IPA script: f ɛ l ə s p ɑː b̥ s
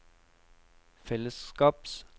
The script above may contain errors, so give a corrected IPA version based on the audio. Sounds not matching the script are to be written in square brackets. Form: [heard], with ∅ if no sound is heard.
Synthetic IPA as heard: f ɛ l ə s [k] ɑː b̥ s